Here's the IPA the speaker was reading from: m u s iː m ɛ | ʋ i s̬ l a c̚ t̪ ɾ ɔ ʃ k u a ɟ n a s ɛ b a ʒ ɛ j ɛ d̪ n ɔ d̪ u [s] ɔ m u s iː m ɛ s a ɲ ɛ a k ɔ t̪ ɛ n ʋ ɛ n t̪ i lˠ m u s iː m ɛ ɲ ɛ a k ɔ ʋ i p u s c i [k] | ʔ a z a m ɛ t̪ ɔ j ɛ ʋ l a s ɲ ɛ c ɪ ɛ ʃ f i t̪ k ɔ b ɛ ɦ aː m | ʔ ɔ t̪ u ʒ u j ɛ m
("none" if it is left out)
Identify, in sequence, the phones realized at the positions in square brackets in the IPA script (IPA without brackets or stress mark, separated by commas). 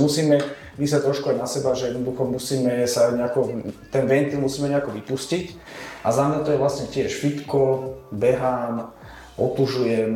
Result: x, c